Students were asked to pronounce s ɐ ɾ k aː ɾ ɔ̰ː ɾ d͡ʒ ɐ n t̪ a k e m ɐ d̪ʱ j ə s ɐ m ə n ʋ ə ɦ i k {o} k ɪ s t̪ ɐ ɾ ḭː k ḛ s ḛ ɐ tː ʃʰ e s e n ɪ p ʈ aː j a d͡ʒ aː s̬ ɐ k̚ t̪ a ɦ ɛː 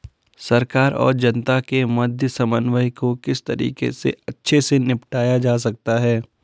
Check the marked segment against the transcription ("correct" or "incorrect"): correct